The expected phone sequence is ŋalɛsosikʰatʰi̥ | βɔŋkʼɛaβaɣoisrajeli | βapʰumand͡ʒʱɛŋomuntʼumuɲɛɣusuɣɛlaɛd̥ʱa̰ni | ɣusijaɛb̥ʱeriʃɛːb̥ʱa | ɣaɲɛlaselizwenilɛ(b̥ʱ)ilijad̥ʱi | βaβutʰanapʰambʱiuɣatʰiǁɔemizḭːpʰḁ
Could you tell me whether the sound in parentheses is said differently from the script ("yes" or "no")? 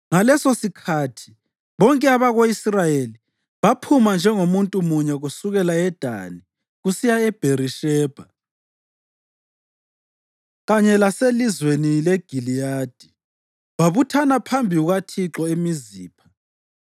yes